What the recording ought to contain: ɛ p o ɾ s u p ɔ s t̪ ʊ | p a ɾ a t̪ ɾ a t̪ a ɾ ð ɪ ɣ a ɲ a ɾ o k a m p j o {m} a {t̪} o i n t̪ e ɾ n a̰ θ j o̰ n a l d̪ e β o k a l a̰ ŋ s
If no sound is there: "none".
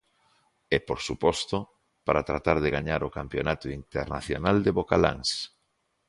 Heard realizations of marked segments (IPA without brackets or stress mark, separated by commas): n, t̪